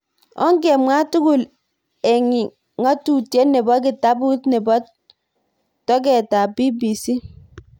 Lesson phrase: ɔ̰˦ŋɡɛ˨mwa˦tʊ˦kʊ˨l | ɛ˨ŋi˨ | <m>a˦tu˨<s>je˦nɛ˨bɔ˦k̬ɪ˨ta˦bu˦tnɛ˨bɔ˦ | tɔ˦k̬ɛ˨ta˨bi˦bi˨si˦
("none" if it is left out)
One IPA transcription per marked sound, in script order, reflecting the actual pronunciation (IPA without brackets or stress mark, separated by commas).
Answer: ŋ, t